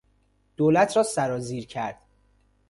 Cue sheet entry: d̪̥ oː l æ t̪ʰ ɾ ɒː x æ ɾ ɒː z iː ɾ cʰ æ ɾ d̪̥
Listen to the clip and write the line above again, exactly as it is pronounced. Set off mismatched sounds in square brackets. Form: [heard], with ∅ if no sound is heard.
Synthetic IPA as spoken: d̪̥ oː l æ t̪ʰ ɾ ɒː [s] æ ɾ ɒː z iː ɾ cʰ æ ɾ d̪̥